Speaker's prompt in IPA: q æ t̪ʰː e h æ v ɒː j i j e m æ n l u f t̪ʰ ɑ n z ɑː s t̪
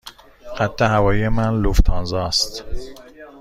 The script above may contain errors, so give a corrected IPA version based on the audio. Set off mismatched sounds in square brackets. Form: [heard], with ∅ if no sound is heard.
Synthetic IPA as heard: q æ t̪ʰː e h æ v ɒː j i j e m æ n l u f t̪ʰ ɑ n z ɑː s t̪